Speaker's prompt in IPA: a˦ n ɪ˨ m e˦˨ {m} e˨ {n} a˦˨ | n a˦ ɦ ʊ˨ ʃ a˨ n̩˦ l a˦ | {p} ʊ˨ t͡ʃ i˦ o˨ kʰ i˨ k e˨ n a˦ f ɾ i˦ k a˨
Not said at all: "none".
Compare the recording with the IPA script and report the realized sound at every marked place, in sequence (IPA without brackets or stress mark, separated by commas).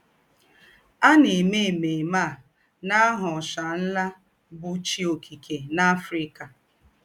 m, m, b